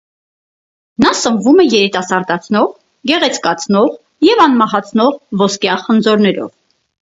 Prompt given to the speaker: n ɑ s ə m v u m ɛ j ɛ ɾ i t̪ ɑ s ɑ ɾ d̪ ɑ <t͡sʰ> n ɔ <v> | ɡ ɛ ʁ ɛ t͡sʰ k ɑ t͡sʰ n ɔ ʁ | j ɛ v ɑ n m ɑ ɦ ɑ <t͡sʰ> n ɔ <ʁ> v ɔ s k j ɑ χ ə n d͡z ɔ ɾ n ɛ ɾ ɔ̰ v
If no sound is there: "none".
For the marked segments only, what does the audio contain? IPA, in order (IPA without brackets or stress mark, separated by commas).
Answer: t͡sʰ, ʁ, t͡sʰ, ʁ